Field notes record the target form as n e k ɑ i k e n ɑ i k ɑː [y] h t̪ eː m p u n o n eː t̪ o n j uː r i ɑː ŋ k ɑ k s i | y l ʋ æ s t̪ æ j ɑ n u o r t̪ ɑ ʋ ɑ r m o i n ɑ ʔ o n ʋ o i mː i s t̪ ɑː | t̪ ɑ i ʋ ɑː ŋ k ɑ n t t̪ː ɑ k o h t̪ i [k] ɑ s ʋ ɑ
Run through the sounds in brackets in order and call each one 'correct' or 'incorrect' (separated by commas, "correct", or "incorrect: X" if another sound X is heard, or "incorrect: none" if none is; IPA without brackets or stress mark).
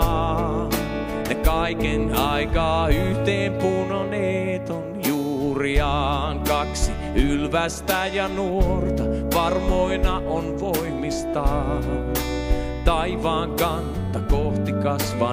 correct, correct